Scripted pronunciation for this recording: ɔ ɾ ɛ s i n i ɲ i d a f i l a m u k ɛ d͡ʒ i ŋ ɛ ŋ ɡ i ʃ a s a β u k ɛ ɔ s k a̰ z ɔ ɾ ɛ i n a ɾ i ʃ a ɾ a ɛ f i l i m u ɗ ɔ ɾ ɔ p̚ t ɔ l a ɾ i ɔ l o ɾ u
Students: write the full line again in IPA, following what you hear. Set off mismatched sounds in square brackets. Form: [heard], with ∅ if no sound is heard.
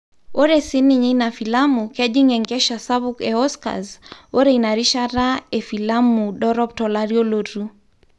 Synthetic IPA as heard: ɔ ɾ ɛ s i n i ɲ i [n] a f i l a m u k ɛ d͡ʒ i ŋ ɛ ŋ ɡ [ɛ] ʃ a s a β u k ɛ ɔ s k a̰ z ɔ ɾ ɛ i n a ɾ i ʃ a ɾ a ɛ f i l [a] m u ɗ ɔ ɾ ɔ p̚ t ɔ l a ɾ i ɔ l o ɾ u